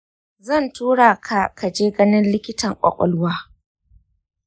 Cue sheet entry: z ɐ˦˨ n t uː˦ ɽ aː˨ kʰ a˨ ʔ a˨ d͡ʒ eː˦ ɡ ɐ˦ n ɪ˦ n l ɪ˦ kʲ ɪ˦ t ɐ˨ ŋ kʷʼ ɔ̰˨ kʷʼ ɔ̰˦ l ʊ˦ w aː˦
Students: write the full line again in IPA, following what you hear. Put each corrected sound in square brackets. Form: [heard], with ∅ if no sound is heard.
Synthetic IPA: z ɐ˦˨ n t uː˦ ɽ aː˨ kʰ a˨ [k] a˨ d͡ʒ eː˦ ɡ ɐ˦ n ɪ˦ n l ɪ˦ kʲ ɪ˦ t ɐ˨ ŋ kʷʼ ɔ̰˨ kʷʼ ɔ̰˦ l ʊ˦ w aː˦